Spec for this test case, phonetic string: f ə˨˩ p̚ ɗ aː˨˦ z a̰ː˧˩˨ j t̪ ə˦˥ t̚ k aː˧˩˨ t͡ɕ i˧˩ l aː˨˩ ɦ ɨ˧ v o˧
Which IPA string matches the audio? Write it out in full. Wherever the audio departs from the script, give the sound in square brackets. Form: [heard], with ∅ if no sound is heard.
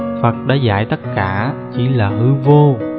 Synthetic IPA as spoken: f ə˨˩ [t̚] ɗ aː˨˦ z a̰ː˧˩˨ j t̪ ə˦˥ t̚ k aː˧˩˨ t͡ɕ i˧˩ l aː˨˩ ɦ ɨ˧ v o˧